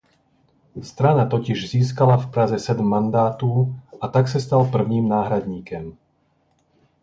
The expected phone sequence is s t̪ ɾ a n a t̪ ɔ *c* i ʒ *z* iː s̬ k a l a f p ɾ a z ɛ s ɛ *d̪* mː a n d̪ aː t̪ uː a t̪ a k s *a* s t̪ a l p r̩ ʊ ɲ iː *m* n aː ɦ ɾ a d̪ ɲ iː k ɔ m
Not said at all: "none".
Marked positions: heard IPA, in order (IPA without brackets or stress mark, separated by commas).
c, z, d̪, a, m